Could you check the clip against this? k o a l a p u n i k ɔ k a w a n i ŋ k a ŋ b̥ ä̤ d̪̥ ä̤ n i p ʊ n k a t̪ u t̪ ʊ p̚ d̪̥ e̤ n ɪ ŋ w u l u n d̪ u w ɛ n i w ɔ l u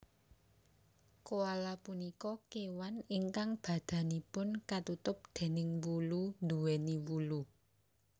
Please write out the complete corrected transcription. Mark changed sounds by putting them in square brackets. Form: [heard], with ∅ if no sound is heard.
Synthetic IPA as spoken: k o a l a p u n i k ɔ k [e] w a n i ŋ k a ŋ b̥ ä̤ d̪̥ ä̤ n i p ʊ n k a t̪ u t̪ ʊ p̚ d̪̥ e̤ n ɪ ŋ w u l u n d̪ u w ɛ n i w [u] l u

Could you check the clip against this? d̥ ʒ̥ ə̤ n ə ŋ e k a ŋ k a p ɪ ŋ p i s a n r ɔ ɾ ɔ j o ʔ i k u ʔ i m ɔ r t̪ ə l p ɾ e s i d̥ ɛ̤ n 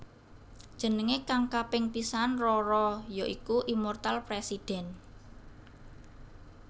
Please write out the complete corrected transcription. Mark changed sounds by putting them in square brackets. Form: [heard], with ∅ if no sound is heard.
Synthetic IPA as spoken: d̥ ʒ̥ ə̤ n ə ŋ e k a ŋ k a p ɪ ŋ p i s a n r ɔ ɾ ɔ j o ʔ i k u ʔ i m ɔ r t̪ [a] l p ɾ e s i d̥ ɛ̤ n

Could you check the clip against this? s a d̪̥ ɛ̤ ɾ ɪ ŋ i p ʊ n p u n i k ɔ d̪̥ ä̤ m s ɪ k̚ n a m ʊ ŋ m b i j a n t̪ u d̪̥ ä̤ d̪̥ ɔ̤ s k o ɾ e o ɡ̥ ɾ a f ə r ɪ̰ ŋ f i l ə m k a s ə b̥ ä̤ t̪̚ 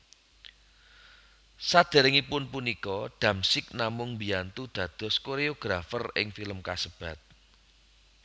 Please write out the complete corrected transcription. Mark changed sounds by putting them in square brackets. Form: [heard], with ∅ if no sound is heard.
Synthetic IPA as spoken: s a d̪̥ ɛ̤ ɾ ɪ ŋ i p ʊ n p u n i k ɔ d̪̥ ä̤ m s ɪ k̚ n a m ʊ ŋ m b i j a n t̪ u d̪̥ ä̤ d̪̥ ɔ̤ s k o ɾ e o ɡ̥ ɾ a f ə r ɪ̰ ŋ f i l ə m k a s ə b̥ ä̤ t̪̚

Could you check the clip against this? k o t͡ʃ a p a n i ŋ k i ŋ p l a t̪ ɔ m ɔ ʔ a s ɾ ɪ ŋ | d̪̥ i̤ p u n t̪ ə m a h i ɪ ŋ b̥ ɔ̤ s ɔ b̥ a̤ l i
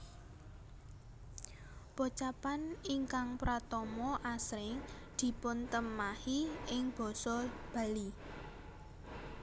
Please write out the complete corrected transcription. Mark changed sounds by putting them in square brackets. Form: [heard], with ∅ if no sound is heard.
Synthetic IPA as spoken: [p] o t͡ʃ a p a n i ŋ k [a] ŋ p [ɾ] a t̪ ɔ m ɔ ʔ a s ɾ ɪ ŋ | d̪̥ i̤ p [ʊ] n t̪ ə m a h i ɪ ŋ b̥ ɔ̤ s ɔ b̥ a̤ l i

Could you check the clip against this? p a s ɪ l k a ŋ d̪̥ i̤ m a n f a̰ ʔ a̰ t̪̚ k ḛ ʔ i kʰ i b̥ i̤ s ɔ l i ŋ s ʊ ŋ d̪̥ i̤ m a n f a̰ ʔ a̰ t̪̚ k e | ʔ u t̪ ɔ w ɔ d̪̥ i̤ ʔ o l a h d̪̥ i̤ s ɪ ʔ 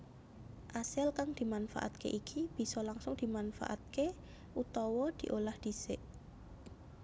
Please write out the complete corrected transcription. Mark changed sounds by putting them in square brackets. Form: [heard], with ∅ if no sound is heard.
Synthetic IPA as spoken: [ʔ] a s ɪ l k a ŋ d̪̥ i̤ m a n f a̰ ʔ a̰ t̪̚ k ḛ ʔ i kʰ i b̥ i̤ s ɔ l [a] ŋ s ʊ ŋ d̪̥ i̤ m a n f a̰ ʔ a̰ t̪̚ k e | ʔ u t̪ ɔ w ɔ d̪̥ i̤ ʔ o l a h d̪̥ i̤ s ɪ ʔ

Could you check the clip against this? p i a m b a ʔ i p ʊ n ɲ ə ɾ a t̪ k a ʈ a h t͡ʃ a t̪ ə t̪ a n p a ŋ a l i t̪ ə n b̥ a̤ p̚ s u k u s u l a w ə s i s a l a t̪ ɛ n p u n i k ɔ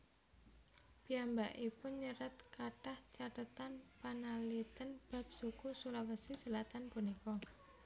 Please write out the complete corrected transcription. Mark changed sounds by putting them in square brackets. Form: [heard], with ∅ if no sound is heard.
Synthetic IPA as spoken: p i a m b a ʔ i p ʊ n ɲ ə ɾ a t̪ k a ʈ a h t͡ʃ a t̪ ə t̪ a n p a [n] a l i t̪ ə n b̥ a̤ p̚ s u k u s u l a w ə s i s [ə] l a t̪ [a] n p u n i k ɔ

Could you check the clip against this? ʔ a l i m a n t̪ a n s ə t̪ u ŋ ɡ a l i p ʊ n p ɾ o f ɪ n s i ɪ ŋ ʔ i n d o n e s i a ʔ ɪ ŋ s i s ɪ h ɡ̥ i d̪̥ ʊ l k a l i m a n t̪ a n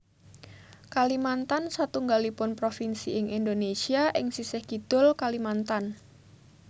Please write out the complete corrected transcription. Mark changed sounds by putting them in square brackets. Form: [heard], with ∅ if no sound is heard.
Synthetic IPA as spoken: [k] a l i m a n t̪ a n s [a] t̪ u ŋ ɡ a l i p ʊ n p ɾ o f [i] n s i ɪ ŋ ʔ i n d o n e s i a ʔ ɪ ŋ s i s ɪ h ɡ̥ i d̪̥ ʊ l k a l i m a n t̪ a n

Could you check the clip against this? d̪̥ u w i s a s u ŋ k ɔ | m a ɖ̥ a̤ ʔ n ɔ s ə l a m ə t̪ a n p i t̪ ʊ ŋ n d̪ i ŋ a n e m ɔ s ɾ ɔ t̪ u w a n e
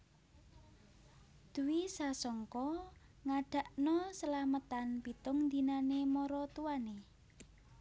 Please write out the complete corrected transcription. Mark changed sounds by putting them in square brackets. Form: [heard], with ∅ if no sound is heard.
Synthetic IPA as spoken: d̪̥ u w i s a s [ɔ] ŋ k ɔ | [ŋ] a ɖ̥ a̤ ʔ n ɔ s ə l a m ə t̪ a n p i t̪ ʊ ŋ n d̪ i [n] a n e m ɔ [∅] ɾ ɔ t̪ u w a n e

